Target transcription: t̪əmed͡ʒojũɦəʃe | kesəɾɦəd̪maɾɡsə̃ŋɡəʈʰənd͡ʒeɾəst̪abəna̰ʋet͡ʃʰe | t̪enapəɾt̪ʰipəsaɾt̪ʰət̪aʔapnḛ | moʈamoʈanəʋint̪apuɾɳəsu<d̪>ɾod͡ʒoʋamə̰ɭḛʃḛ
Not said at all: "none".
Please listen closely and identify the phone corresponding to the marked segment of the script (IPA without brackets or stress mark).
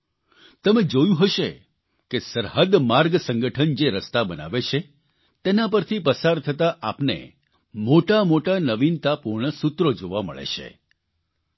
t̪